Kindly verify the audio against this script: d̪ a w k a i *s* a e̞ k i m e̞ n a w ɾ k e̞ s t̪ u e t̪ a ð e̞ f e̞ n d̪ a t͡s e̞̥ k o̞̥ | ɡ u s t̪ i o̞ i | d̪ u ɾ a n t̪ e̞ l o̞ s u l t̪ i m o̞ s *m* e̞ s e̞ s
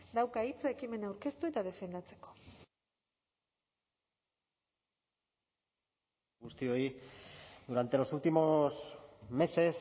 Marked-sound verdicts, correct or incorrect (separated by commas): incorrect, correct